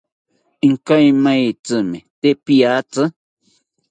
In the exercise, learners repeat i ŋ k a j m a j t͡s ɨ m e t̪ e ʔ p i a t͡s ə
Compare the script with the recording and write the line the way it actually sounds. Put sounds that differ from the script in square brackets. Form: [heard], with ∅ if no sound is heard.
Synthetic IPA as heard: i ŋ k a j m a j t͡s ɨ m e t̪ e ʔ p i a t͡s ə